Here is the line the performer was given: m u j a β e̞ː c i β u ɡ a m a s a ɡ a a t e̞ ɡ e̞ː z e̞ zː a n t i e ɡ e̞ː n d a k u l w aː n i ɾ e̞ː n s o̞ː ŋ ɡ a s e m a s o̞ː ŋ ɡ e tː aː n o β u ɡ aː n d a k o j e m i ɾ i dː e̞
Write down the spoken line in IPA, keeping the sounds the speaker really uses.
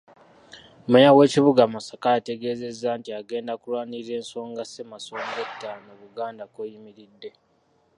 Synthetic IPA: m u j a w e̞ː c i β u ɡ a m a s a k a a t e̞ ɡ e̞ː z e̞ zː a n t i a ɡ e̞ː n d a k u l w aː n i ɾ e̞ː n s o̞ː ŋ ɡ a s e m a s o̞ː ŋ ɡ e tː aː n o β u ɡ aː n d a k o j i m i ɾ i dː e̞